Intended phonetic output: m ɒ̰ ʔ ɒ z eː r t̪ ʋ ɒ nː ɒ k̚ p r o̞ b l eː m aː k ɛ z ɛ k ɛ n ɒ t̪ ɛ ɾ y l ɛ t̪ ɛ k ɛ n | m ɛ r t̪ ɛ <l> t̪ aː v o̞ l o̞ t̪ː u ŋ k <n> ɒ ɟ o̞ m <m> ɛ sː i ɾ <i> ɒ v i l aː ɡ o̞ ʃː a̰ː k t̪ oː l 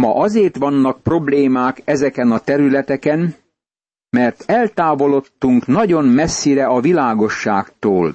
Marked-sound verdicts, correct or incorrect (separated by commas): correct, correct, correct, incorrect